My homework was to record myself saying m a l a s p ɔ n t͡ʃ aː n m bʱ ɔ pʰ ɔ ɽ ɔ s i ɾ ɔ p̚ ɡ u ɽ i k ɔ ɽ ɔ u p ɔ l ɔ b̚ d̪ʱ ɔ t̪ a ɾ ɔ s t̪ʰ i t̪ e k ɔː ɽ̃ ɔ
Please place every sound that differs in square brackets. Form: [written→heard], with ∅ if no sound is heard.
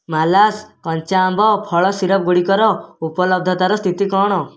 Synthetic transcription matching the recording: m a l a s [p→k] ɔ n t͡ʃ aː [n→∅] m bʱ ɔ pʰ ɔ [ɽ→ɭ] ɔ s i ɾ ɔ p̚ ɡ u ɽ i k ɔ [ɽ→ɾ] ɔ u p ɔ l ɔ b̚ d̪ʱ ɔ t̪ a ɾ ɔ s t̪ʰ i t̪ [e→i] k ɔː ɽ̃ ɔ